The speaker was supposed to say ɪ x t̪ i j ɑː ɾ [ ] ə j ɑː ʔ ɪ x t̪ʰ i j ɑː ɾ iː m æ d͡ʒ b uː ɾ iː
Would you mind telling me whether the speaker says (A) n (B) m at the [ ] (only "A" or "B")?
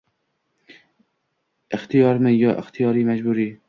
B